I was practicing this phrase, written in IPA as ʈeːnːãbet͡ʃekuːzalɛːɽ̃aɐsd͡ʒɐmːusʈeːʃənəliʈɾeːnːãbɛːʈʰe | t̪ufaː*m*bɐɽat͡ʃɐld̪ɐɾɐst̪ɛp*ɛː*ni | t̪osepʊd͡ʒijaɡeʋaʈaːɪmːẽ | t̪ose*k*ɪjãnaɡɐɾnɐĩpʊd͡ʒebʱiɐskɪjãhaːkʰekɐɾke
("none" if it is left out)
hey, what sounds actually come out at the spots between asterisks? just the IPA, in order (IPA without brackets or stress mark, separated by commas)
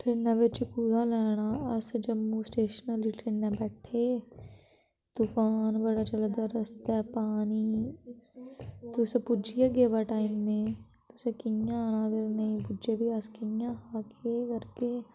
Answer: n, aː, k